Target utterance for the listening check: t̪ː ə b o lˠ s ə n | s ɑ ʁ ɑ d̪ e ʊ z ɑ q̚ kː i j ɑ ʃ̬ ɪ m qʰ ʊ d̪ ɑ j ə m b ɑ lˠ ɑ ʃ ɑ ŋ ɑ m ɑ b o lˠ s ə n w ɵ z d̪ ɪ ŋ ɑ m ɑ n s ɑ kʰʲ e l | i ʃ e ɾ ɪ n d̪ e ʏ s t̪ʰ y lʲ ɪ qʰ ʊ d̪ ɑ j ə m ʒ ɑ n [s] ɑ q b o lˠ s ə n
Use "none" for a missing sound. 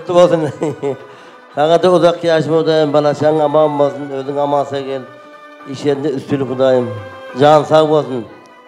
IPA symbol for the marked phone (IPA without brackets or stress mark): s